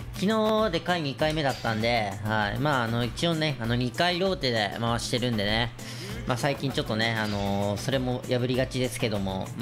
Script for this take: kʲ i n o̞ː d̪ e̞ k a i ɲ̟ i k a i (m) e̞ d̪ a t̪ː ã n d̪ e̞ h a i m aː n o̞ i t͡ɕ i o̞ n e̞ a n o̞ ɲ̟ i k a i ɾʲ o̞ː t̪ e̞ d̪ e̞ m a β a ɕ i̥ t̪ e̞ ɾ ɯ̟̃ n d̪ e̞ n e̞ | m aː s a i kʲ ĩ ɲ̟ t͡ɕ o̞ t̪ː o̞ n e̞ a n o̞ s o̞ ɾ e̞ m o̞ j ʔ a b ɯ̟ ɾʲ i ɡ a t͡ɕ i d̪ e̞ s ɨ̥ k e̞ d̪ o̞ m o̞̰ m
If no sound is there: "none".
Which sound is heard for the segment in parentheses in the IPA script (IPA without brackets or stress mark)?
m